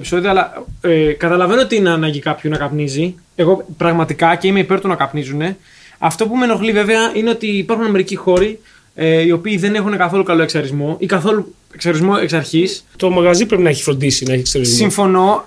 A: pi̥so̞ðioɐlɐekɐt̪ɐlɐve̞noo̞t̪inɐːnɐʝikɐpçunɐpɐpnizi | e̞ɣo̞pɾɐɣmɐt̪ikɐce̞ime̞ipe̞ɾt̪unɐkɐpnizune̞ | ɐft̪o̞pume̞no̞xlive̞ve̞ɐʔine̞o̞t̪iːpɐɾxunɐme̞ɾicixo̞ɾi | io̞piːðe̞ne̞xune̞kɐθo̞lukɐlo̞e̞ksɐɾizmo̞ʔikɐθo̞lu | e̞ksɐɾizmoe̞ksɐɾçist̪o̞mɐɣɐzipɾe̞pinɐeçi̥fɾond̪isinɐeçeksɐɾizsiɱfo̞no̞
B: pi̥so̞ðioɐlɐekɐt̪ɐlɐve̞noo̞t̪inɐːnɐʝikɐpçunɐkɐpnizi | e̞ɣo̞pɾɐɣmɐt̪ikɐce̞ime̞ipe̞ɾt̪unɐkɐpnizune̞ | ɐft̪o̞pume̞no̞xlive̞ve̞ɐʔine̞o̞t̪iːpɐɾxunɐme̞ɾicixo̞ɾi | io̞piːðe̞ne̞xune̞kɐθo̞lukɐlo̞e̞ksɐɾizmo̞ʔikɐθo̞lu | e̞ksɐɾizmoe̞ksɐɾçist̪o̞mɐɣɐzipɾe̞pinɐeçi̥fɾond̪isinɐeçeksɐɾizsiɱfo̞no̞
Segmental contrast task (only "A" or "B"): B